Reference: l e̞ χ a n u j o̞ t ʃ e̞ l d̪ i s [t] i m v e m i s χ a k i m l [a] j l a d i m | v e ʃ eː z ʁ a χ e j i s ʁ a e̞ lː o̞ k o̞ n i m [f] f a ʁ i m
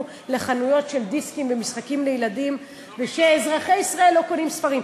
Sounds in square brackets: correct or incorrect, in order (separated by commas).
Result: incorrect, incorrect, incorrect